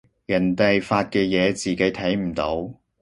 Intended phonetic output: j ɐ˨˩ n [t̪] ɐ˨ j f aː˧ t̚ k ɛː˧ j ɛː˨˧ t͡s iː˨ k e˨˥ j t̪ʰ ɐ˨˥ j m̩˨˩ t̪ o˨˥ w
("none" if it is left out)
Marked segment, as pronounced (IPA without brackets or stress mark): t̪